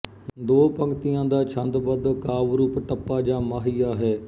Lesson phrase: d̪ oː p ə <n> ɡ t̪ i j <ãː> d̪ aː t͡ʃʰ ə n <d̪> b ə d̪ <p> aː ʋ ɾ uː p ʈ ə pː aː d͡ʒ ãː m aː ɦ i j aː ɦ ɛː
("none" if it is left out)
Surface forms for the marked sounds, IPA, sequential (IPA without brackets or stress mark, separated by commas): ŋ, ãː, d̪, k